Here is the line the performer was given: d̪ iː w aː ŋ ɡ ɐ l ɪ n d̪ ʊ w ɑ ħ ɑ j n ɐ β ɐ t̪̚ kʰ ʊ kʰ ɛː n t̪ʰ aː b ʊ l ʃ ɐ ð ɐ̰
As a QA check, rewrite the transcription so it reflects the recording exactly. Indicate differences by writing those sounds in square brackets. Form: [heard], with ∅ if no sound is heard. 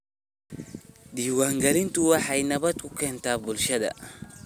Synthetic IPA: d̪ iː w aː ŋ ɡ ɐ l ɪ n [t̪] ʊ w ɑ ħ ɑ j n ɐ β ɐ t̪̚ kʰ ʊ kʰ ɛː n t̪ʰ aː b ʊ l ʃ ɐ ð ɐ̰